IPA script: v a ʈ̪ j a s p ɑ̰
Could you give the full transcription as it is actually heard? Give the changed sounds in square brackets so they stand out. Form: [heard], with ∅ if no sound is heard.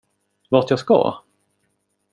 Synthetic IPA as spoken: v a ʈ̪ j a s [k] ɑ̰